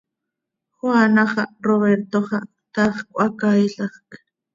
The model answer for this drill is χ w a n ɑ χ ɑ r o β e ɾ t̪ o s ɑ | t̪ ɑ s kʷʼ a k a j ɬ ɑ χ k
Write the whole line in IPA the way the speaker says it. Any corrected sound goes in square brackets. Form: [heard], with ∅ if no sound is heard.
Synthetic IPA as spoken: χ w a n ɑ χ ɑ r o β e ɾ t̪ o [χ] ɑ | t̪ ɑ [χ] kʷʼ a k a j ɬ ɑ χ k